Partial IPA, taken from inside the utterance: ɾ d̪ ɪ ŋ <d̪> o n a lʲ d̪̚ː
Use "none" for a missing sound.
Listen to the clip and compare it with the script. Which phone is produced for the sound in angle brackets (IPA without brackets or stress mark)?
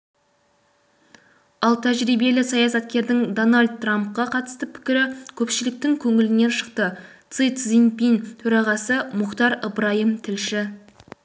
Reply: d̪